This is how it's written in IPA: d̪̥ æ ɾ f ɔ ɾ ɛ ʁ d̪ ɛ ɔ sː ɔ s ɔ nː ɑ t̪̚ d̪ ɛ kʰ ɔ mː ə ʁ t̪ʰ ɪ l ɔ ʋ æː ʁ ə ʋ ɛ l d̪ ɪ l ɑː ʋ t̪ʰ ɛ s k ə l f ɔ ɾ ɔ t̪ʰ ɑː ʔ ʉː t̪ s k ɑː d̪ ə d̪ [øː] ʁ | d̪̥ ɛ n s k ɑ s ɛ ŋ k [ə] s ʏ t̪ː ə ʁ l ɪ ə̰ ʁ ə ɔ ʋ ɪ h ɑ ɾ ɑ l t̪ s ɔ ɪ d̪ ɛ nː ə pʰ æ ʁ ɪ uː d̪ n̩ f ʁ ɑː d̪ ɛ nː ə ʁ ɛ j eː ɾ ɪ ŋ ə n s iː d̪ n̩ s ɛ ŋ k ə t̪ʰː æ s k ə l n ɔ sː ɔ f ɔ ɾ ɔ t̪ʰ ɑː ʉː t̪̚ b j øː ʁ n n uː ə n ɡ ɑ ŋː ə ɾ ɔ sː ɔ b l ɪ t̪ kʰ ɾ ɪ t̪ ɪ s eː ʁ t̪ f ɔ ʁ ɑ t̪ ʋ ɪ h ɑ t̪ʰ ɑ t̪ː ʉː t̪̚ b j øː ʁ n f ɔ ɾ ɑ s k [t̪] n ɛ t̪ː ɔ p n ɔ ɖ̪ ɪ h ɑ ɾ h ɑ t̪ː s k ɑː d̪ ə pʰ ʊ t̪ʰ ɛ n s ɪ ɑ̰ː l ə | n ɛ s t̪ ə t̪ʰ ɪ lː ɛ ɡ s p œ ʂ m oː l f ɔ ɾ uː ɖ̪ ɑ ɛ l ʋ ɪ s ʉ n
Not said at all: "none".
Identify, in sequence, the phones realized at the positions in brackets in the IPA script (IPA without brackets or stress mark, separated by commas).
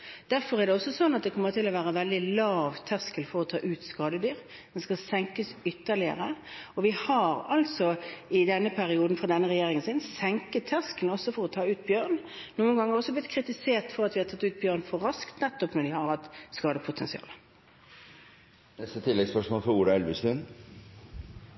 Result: yː, ə, t̪